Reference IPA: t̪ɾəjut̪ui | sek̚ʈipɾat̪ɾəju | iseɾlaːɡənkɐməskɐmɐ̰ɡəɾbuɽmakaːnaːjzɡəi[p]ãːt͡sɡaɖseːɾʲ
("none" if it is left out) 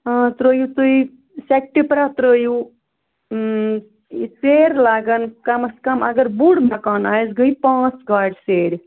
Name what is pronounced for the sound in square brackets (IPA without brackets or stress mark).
p